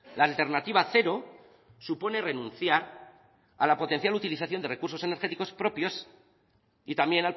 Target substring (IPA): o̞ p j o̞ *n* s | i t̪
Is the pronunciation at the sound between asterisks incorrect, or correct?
incorrect